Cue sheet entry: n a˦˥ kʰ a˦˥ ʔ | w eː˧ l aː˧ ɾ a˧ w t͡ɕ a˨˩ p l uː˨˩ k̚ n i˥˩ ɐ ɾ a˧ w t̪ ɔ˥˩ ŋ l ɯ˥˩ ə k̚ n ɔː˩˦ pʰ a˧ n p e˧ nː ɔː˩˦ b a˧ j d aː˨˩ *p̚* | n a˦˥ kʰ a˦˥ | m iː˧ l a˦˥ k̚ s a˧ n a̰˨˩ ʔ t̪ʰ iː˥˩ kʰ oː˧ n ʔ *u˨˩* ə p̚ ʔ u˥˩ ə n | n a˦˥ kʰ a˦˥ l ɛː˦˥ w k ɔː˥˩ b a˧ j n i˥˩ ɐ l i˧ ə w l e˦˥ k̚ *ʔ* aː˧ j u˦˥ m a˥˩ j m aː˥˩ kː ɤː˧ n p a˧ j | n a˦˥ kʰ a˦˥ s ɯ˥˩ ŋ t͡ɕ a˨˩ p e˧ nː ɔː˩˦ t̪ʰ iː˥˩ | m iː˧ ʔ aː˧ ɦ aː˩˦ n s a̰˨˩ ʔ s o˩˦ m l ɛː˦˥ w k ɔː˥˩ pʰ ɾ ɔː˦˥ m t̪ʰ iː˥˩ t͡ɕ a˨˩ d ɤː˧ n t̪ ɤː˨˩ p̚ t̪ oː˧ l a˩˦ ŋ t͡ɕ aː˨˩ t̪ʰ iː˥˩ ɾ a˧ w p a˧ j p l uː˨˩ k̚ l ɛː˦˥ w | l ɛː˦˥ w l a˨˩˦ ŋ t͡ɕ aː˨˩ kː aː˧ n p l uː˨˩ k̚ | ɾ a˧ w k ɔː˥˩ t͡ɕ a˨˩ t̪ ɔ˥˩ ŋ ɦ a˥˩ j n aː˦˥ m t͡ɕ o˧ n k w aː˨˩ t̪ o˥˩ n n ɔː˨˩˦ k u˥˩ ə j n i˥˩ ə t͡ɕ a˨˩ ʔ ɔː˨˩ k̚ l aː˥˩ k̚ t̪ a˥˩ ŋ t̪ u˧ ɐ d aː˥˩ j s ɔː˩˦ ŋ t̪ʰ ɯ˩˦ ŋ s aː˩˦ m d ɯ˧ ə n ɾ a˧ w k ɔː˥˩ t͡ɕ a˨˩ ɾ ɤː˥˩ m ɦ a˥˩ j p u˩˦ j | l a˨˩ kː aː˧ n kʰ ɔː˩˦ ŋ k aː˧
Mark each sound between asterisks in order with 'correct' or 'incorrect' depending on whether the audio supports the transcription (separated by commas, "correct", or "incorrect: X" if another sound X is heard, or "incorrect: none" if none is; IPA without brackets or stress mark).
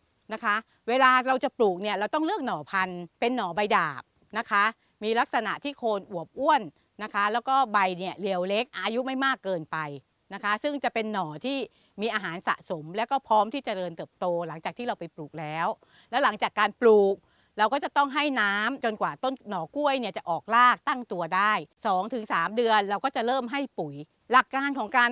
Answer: correct, correct, correct